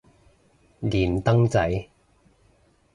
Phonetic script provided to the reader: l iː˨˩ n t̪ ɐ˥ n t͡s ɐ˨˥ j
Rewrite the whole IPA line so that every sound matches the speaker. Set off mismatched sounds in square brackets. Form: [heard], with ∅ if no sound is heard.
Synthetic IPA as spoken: l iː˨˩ n t̪ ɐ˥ [ŋ] t͡s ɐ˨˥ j